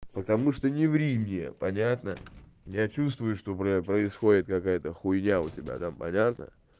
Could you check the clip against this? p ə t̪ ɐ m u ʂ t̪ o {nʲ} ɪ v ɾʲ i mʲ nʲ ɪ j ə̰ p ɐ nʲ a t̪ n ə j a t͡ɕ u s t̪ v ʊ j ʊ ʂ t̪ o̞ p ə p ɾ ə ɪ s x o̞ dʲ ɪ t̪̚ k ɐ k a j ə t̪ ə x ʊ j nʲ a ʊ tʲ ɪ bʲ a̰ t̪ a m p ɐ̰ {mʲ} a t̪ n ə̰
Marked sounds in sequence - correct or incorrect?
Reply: correct, incorrect: nʲ

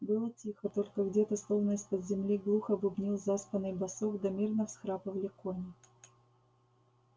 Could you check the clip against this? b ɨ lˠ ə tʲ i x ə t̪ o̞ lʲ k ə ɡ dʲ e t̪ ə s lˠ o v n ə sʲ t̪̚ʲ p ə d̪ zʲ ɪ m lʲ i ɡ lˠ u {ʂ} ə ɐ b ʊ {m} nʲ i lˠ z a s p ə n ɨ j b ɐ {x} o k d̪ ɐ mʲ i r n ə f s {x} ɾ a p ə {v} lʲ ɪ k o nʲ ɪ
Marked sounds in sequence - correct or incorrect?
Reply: incorrect: x, incorrect: b, incorrect: s, correct, correct

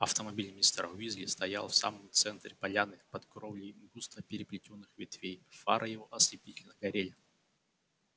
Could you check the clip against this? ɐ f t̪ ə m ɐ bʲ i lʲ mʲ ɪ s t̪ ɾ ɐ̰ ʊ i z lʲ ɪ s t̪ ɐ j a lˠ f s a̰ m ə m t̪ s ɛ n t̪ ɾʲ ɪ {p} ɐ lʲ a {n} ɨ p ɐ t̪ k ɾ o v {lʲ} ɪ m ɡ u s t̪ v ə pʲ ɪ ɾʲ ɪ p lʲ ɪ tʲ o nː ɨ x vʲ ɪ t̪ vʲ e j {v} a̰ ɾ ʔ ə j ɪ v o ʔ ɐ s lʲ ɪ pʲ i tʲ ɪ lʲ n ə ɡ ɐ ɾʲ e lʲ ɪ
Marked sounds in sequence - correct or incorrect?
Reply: correct, correct, correct, incorrect: f

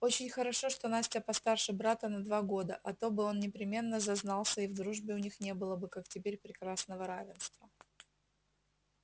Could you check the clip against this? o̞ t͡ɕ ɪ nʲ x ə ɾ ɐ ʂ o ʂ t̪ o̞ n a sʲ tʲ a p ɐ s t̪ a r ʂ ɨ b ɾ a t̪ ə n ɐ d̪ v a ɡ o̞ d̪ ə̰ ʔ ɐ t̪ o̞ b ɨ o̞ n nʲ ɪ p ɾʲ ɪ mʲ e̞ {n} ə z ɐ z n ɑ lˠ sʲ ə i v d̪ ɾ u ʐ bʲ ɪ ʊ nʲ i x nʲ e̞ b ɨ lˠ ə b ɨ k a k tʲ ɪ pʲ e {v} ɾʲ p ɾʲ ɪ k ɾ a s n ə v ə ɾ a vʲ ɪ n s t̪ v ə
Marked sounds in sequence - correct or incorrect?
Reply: incorrect: nː, incorrect: none

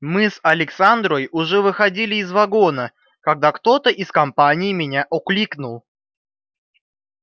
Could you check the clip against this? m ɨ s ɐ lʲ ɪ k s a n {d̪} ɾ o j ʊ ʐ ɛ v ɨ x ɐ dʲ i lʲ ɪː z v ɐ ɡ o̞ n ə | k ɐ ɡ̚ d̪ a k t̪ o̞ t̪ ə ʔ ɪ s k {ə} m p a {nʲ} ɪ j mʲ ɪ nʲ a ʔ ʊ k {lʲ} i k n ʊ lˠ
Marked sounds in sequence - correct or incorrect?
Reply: correct, incorrect: ɐ, correct, correct

